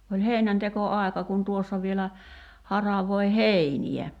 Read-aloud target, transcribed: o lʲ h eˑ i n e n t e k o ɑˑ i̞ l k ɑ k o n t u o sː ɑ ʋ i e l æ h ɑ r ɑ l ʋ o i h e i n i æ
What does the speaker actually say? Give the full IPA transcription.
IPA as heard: o lʲ h eˑ i n æ n t e k o ɑˑ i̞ k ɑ k u n t u o sː ɑ ʋ i e l æ h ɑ r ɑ ʋ o i h e i n i æ